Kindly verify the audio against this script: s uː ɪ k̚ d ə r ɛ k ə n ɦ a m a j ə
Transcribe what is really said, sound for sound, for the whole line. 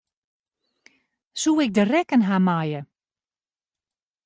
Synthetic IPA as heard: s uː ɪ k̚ d ə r ɛ k ə n ɦ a m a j ə